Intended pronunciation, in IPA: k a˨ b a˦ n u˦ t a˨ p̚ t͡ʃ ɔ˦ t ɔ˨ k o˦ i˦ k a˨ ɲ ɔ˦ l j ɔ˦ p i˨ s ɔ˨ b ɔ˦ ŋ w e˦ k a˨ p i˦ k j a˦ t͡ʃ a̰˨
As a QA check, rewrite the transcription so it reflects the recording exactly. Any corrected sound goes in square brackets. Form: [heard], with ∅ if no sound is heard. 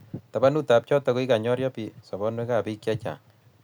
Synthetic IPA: [t] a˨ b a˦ n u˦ t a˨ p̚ t͡ʃ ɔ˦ t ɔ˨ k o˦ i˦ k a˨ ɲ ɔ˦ [ɾ] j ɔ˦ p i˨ s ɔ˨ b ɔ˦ [n] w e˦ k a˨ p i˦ k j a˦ t͡ʃ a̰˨